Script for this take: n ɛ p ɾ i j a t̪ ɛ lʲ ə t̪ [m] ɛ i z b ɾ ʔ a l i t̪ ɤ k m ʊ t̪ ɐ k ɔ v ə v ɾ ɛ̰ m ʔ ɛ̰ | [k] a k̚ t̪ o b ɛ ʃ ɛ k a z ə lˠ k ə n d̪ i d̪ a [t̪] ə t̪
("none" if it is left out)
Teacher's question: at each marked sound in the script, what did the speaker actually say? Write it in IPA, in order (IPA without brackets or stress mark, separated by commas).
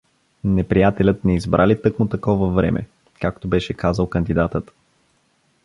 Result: n, k, t̪